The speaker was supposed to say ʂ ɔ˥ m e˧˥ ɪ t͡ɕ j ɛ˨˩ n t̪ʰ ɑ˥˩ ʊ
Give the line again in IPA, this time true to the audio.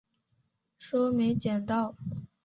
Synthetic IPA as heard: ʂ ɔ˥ m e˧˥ ɪ t͡ɕ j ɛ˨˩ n t̪ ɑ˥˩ ʊ